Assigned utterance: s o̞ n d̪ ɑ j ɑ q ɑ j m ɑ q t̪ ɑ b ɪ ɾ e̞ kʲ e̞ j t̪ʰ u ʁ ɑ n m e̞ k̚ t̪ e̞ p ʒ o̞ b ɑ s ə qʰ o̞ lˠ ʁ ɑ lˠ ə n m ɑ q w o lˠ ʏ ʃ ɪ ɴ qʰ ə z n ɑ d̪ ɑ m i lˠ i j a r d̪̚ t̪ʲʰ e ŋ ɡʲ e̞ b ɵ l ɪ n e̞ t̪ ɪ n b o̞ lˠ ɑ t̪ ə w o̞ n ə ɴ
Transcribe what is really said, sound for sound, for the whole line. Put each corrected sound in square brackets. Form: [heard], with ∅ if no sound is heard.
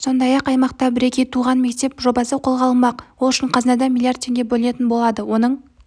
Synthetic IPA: s o̞ n d̪ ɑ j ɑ q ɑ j m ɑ q t̪ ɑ b ɪ ɾ e̞ kʲ e̞ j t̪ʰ u ʁ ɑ n m e̞ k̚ t̪ e̞ p ʒ o̞ b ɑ s ə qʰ o̞ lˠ ʁ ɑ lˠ ə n m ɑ q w o lˠ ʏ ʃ ɪ ɴ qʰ [ɑ] z n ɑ d̪ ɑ m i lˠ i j a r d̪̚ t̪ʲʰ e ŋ ɡʲ e̞ b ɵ l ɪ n e̞ t̪ ɪ n b o̞ lˠ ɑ [d̪] ə w o̞ n ə ɴ